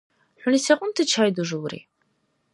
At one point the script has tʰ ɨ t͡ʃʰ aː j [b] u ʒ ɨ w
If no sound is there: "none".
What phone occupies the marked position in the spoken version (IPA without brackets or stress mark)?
d